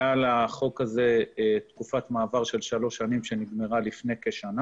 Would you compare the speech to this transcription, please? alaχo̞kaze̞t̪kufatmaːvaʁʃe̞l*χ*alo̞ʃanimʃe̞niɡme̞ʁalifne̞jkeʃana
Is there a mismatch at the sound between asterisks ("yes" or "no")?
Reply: yes